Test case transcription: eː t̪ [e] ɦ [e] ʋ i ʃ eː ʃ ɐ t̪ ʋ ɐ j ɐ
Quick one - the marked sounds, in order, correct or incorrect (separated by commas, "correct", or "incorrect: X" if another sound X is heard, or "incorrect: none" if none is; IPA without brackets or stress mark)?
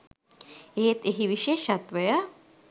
correct, incorrect: i